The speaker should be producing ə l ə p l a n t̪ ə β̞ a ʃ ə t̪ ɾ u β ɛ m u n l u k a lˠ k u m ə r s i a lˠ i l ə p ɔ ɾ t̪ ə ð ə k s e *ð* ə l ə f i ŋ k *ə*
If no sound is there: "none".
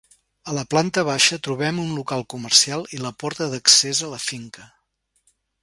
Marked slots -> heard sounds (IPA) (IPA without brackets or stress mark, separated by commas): z, ə